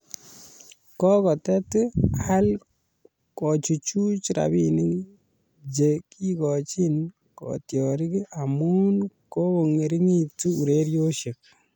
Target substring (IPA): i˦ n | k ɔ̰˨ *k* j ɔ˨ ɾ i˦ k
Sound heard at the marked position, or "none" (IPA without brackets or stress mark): t